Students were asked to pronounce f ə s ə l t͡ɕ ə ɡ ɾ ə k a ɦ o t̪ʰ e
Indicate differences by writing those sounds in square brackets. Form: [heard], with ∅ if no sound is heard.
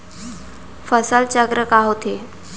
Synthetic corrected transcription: f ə s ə l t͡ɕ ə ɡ ɾ ə k a ɦ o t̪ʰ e